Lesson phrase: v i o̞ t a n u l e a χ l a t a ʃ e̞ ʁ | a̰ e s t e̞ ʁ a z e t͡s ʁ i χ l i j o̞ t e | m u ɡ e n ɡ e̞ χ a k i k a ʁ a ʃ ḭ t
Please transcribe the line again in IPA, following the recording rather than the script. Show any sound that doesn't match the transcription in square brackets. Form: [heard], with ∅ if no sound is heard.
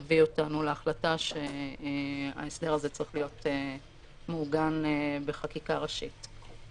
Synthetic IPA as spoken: v i o̞ t a n u l e a χ l a t a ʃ e̞ [∅] | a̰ e s [d] e̞ ʁ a z e t͡s ʁ i χ l i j o̞ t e | m u ɡ [a] n [b] e̞ χ a k i k a ʁ a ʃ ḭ t